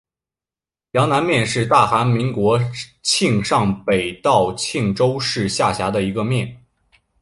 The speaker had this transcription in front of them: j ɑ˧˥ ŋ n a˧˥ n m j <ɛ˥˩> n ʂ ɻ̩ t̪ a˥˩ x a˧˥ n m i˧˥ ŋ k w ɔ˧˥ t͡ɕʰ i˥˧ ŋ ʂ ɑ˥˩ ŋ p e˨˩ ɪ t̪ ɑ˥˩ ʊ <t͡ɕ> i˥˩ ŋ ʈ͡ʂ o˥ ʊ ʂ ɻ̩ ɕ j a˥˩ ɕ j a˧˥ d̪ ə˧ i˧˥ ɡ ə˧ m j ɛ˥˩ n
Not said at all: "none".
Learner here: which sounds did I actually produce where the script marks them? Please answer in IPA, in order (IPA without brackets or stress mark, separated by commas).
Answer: ɛ˥˧, t͡ɕʰ